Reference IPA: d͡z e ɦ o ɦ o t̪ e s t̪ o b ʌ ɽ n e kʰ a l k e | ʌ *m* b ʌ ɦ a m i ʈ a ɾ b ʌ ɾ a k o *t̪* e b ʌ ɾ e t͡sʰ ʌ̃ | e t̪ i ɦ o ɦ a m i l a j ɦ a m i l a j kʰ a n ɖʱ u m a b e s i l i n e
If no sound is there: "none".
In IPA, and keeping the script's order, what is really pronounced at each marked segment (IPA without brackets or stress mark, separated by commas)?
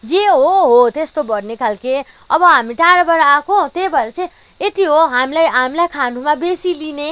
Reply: none, t̪